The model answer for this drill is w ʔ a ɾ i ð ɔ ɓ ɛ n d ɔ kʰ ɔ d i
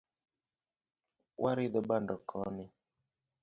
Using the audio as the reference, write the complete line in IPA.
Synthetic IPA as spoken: w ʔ a ɾ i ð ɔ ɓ a n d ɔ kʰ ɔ n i